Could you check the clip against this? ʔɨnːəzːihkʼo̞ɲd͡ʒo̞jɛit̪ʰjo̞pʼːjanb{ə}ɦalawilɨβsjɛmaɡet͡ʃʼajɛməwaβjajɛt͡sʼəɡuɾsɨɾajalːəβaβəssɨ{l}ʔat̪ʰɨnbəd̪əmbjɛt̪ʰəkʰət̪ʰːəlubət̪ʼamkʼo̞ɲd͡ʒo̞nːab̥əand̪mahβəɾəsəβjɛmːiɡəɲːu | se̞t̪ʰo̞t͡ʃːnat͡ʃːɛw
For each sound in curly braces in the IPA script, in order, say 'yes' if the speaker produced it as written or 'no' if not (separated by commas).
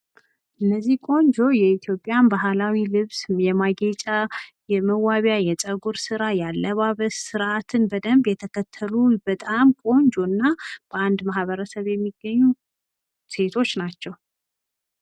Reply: no, no